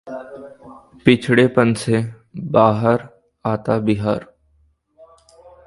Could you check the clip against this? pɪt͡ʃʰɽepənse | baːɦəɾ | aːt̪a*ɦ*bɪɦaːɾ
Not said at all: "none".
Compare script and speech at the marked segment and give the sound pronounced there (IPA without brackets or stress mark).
none